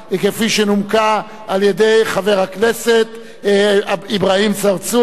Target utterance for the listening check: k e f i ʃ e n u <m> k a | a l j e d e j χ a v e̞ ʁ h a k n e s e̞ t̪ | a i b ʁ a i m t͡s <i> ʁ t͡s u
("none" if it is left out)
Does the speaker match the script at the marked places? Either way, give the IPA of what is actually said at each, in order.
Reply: m, a

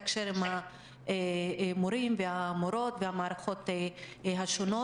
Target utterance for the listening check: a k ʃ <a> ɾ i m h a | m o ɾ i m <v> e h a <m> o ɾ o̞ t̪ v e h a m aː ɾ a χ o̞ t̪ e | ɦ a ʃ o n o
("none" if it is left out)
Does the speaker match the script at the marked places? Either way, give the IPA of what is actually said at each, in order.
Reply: e, v, m

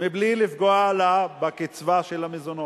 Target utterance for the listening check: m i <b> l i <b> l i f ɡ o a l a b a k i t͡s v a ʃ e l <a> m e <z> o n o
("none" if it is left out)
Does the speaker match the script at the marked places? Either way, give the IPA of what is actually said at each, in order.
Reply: b, none, a, z

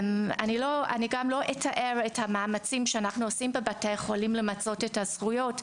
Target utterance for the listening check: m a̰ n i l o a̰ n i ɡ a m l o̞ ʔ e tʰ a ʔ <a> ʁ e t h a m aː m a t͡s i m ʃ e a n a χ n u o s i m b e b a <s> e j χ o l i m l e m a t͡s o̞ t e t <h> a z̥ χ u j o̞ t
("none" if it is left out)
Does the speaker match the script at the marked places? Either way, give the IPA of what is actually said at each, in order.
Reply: e, t, h

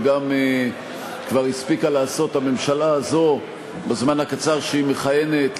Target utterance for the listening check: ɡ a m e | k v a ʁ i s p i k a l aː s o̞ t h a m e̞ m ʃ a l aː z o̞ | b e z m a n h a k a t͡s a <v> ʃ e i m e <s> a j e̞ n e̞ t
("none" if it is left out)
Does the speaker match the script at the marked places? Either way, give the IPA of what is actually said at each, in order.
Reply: ʁ, χ

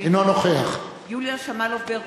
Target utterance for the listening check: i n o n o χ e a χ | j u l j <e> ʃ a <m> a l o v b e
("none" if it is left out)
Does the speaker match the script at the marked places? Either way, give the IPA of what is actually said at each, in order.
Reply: a, m

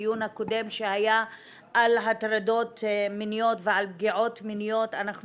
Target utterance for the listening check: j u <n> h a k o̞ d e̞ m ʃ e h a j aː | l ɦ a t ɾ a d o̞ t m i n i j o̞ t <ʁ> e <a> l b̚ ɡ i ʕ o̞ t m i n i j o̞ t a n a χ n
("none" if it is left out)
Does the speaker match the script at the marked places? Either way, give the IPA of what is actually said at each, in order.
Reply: n, v, a

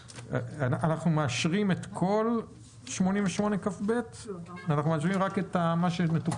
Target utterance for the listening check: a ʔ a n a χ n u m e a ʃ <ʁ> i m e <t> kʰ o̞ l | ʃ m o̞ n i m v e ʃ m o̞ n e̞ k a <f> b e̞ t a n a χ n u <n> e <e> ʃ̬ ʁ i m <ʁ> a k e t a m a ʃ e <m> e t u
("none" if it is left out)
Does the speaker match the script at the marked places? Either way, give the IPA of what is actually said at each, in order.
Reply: ʁ, t, f, m, a, ʁ, m

